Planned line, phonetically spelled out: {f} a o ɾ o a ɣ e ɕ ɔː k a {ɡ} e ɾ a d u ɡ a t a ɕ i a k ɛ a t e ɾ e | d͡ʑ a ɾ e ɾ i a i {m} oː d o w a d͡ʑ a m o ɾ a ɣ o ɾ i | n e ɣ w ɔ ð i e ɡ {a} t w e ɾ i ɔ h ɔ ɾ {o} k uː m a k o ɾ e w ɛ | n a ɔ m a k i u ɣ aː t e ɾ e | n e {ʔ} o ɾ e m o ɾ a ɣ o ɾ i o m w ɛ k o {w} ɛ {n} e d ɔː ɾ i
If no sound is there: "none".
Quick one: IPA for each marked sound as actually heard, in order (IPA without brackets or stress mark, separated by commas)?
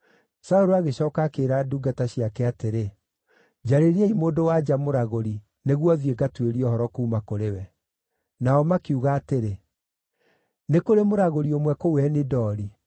s, k, m, a, ɔ, k, w, n